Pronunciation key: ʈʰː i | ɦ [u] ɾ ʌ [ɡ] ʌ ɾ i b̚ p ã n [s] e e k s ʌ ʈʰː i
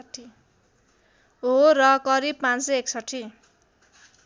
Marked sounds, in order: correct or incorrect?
incorrect, incorrect, correct

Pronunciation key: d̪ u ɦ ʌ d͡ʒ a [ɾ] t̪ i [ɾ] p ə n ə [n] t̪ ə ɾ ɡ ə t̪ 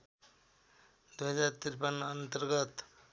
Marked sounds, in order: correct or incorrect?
correct, correct, correct

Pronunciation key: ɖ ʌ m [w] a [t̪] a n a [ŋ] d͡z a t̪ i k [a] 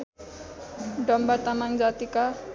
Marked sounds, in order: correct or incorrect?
incorrect, correct, correct, correct

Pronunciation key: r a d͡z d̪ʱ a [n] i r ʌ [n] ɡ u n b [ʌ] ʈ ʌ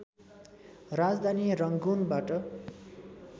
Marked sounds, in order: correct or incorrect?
correct, incorrect, incorrect

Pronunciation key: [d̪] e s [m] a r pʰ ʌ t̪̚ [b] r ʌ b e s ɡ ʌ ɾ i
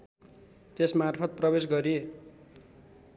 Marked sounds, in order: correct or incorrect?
incorrect, correct, incorrect

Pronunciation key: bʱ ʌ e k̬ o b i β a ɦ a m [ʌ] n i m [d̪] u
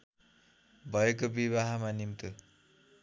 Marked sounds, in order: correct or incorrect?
incorrect, incorrect

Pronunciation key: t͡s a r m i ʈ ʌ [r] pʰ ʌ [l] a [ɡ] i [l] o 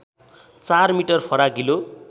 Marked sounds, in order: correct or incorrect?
correct, incorrect, correct, correct

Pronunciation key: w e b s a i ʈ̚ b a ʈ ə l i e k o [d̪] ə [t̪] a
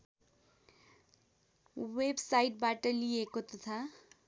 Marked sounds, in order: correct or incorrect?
incorrect, incorrect

